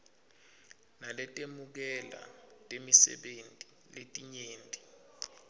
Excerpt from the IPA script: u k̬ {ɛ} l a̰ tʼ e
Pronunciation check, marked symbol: correct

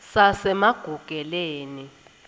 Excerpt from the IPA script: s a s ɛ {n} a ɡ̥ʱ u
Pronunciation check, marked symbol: incorrect: m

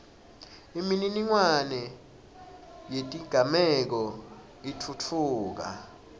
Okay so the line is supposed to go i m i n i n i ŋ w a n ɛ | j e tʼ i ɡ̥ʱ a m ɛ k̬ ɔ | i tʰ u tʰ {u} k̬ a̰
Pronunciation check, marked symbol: incorrect: uː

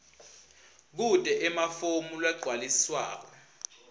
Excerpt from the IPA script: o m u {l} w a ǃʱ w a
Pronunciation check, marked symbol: correct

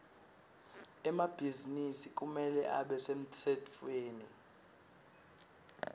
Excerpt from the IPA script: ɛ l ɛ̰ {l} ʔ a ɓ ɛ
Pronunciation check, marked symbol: incorrect: none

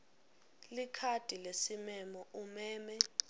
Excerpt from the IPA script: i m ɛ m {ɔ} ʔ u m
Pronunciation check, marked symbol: correct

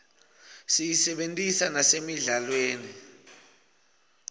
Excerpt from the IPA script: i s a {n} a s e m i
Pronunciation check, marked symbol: correct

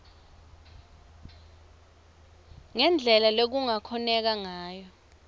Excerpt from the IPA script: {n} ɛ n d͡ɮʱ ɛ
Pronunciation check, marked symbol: incorrect: ŋ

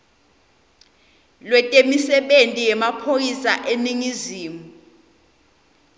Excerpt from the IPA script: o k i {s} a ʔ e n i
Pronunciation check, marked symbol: correct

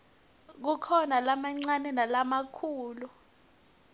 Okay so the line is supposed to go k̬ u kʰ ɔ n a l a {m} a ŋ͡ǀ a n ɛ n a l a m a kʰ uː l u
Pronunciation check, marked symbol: correct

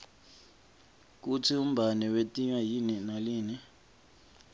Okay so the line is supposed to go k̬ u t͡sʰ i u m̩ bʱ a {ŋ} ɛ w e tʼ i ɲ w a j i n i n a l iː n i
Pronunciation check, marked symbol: incorrect: n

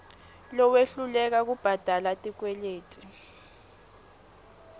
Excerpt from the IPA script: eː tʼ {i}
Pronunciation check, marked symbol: correct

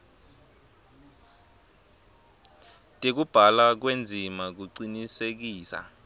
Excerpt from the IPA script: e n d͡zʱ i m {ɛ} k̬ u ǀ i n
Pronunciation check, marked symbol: incorrect: a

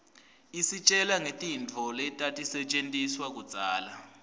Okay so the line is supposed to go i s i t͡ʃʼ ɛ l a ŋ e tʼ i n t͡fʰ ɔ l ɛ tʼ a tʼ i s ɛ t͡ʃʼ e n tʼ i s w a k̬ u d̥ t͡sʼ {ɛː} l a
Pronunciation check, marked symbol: incorrect: aː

